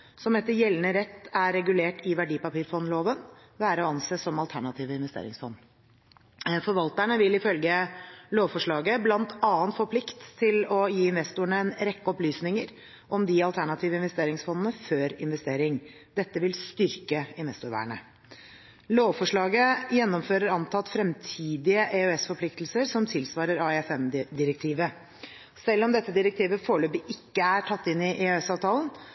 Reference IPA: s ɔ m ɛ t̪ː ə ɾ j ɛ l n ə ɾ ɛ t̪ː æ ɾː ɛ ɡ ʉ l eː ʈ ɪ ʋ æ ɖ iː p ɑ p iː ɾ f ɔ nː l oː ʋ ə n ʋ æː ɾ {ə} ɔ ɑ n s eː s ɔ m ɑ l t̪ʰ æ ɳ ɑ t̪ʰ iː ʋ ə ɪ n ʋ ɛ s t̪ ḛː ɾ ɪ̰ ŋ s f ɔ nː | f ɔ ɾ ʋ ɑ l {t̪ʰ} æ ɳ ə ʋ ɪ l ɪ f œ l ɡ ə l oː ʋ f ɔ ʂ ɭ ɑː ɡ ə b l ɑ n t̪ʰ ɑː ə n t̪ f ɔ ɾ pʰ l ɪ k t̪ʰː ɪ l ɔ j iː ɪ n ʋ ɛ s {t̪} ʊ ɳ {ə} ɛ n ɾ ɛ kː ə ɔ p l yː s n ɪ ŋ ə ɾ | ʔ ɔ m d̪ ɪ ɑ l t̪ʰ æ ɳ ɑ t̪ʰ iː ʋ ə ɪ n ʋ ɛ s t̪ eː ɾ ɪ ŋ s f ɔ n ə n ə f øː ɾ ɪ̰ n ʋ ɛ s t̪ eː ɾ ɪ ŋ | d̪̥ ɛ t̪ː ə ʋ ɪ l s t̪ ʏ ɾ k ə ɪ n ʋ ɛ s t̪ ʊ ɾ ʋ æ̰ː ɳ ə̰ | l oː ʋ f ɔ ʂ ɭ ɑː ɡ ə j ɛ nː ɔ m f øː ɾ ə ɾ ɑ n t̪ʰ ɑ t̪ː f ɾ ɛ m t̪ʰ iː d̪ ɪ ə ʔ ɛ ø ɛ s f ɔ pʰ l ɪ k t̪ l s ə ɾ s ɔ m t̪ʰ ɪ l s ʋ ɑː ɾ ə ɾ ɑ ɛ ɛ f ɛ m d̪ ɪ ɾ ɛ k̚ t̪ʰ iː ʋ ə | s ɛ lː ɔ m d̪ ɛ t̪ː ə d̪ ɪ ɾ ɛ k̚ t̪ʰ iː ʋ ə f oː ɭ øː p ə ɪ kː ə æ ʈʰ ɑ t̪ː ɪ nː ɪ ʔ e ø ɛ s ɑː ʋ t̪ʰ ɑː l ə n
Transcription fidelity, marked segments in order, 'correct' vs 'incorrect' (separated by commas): correct, incorrect, correct, correct